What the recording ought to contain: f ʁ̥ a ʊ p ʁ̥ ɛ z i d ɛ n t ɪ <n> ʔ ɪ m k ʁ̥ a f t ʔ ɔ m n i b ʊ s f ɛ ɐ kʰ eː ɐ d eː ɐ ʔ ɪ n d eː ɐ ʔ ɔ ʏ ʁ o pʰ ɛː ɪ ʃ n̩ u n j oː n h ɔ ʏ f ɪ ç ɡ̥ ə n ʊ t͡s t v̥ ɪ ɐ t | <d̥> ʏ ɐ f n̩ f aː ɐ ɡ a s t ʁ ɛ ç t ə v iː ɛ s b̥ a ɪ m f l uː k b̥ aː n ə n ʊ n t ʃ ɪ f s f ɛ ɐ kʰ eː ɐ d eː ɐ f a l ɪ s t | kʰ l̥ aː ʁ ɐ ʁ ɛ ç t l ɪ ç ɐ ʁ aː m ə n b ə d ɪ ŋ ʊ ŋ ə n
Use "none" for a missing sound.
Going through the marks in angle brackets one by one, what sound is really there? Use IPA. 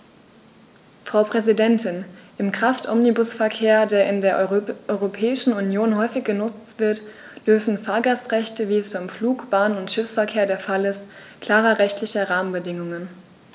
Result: n, d̥

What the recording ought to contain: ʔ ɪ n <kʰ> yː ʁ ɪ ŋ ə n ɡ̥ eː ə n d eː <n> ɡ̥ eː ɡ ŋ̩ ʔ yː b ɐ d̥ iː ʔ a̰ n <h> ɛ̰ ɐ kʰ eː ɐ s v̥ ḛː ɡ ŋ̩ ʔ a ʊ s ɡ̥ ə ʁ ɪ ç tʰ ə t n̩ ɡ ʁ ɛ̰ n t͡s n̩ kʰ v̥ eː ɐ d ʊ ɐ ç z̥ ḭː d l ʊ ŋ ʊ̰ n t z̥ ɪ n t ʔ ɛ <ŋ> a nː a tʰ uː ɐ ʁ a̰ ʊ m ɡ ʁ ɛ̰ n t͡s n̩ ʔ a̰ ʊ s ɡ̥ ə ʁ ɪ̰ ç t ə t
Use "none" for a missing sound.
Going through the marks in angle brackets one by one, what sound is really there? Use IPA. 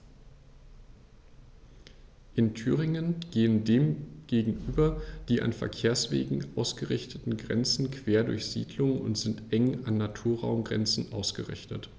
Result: tʰ, m, f, ŋ

